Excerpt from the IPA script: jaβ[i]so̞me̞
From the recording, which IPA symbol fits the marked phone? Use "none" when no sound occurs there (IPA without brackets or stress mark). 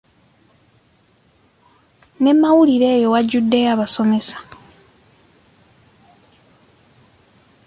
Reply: a